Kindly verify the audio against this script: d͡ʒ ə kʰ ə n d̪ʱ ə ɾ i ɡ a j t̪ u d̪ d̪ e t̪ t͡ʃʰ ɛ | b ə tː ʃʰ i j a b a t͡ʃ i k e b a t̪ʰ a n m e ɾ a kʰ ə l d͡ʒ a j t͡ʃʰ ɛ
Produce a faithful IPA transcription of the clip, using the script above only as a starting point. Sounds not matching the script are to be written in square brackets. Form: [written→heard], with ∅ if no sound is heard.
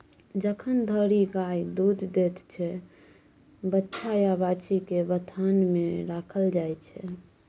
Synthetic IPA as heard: d͡ʒ ə kʰ ə n d̪ʱ ə ɾ i ɡ a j [t̪→d̪] u d̪ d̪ e t̪ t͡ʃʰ ɛ | b ə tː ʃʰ [i→a] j a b a t͡ʃ i k e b [a→ə] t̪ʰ a n m e ɾ a kʰ ə l d͡ʒ a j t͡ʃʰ ɛ